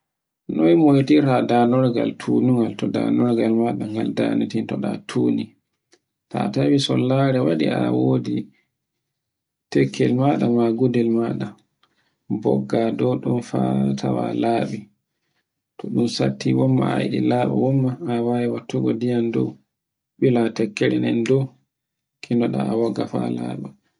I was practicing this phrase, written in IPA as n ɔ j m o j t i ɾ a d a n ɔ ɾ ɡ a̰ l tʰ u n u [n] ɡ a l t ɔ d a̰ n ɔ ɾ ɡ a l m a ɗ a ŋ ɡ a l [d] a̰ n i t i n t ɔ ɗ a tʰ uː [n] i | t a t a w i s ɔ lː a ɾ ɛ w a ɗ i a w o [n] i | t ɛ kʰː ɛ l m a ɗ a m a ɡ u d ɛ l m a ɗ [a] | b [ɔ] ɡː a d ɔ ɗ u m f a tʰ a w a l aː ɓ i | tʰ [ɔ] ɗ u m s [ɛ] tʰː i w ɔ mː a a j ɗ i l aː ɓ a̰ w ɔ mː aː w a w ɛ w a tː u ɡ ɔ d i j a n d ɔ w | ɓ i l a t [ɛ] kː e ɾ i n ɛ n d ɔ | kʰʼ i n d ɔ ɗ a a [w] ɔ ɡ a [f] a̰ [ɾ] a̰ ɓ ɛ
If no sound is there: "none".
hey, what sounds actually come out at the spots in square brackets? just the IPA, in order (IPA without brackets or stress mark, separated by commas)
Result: ŋ, d, n, d, a, ɔ, ɔ, a, ɛ, w, f, l